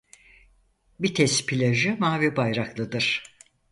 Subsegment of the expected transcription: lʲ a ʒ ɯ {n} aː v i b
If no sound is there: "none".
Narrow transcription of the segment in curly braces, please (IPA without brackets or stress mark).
m